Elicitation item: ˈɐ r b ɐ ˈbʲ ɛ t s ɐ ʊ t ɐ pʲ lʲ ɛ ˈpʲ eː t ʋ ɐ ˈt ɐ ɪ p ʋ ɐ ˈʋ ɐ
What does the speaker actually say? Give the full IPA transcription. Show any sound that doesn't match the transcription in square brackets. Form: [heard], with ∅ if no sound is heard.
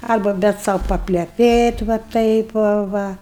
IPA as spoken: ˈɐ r b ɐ ˈbʲ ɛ t s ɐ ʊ [p] ɐ pʲ lʲ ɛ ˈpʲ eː t ʋ ɐ ˈt ɐ ɪ p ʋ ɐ ˈʋ ɐ

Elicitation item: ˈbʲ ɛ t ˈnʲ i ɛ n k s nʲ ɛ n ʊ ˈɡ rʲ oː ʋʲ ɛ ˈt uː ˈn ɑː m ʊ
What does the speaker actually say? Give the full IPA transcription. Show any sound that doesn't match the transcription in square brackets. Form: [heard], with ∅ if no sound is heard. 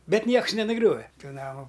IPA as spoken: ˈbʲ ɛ t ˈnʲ i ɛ [∅] k s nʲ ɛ n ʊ ˈɡ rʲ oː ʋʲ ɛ ˈt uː ˈn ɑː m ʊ

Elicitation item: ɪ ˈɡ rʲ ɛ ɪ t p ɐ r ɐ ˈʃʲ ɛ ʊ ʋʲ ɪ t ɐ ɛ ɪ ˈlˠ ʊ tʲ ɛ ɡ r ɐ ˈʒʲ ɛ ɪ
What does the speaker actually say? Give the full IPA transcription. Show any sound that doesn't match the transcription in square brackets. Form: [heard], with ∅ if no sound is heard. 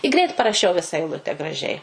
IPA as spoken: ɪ ˈɡ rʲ ɛ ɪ t p ɐ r ɐ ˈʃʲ ɛ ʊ ʋʲ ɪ [s] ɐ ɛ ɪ ˈlˠ ʊ tʲ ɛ ɡ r ɐ ˈʒʲ ɛ ɪ

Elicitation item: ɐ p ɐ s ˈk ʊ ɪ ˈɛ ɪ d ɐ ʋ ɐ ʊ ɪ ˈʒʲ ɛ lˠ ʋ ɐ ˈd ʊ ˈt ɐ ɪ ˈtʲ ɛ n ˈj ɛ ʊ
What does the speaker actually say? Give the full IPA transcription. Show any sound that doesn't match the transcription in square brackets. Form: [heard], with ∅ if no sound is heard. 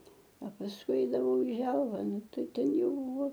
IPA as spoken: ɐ p ɐ s ˈk ʊ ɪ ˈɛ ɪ d ɐ ʋ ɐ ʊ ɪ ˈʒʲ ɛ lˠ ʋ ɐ [ˈn] ʊ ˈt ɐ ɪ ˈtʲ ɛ n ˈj ɛ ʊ

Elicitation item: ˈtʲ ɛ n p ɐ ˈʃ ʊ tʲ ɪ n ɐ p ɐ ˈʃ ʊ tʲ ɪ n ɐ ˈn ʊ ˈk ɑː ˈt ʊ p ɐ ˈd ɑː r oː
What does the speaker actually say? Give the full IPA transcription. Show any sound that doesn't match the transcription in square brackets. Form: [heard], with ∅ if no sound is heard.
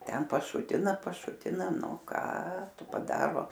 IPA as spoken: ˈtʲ ɛ n p ɐ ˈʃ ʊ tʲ ɪ n ɐ p ɐ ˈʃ ʊ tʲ ɪ n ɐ ˈn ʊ ˈk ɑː ˈt ʊ p ɐ ˈd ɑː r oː

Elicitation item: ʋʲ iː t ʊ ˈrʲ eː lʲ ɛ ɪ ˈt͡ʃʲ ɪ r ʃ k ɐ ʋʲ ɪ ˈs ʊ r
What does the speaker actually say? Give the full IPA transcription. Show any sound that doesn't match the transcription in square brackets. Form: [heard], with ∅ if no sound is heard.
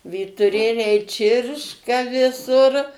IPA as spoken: ʋʲ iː t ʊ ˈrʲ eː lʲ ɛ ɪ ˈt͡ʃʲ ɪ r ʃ k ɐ ʋʲ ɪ ˈs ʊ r

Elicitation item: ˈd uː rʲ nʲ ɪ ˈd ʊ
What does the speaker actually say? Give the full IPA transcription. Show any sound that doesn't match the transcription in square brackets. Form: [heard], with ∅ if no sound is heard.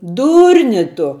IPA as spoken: ˈd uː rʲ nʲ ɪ [ˈt] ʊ

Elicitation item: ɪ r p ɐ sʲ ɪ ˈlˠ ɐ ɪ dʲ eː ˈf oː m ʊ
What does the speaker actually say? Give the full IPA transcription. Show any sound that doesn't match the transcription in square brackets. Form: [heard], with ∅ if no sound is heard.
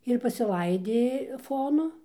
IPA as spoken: ɪ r p ɐ sʲ ɪ ˈlˠ ɐ ɪ dʲ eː ˈf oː [n] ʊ

